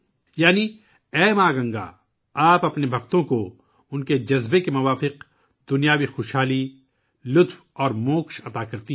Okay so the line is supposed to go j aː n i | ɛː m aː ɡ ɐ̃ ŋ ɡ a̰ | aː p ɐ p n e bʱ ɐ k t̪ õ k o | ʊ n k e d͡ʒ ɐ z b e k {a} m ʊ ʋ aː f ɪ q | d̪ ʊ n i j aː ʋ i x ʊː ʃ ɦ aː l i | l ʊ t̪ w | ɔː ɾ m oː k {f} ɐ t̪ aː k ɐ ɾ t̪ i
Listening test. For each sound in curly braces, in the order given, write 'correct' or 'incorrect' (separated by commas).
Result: incorrect, incorrect